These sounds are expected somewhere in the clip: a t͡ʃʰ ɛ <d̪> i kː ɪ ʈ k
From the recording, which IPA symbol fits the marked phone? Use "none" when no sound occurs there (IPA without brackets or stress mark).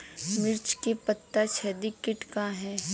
d̪